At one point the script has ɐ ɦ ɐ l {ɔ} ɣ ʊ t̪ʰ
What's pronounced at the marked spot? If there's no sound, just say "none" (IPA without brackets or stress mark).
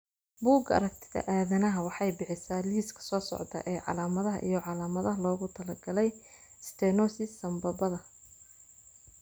ɔː